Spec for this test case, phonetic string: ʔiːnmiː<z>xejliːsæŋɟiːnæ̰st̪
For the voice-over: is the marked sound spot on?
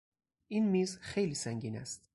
yes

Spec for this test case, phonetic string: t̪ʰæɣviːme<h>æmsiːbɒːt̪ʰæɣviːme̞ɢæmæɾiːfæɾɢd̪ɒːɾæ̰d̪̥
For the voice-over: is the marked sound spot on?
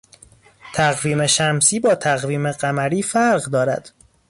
no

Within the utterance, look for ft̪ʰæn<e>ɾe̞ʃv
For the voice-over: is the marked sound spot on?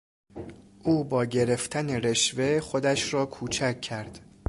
yes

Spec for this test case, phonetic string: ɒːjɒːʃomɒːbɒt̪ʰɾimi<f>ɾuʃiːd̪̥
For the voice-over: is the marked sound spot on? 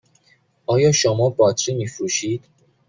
yes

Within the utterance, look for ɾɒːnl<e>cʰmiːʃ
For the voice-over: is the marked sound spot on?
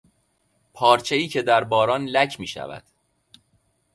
no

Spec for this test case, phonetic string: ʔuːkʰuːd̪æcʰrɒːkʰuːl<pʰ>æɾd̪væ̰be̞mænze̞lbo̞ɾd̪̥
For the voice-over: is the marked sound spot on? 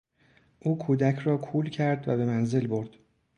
no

